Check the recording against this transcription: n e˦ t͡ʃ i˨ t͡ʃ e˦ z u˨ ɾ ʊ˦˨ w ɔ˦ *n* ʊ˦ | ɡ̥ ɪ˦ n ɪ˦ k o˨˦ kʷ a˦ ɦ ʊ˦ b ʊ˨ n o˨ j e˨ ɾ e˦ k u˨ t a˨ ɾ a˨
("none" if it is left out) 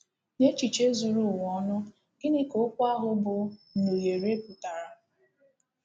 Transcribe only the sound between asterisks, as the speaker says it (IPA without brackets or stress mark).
n